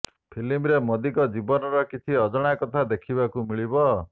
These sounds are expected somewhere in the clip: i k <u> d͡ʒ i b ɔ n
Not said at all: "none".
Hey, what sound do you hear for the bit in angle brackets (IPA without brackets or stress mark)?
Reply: ɔ